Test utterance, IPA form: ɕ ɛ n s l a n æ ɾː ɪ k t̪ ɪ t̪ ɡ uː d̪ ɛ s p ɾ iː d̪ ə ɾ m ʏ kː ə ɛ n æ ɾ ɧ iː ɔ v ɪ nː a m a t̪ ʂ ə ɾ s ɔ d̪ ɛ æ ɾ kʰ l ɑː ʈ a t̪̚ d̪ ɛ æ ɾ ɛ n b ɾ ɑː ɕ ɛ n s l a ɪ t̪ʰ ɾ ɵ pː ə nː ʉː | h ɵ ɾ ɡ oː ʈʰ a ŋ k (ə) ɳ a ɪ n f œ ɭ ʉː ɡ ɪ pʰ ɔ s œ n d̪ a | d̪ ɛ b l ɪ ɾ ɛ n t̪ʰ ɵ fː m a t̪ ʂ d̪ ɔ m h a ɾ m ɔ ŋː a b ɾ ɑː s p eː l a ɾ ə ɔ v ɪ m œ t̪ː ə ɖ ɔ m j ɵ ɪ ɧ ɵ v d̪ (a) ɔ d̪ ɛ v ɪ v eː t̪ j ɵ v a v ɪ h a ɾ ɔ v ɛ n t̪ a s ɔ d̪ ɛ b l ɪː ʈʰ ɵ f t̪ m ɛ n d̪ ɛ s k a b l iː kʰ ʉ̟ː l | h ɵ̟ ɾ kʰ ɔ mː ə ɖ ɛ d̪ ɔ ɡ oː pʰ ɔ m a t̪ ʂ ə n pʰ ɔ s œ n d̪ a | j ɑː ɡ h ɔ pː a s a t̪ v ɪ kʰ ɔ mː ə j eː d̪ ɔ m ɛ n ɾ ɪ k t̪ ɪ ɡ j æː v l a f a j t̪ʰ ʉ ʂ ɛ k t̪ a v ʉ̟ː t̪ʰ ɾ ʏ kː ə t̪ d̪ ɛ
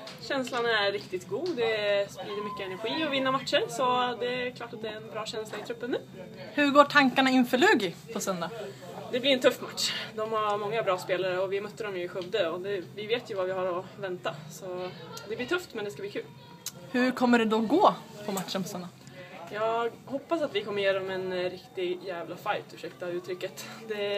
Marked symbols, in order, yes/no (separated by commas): no, no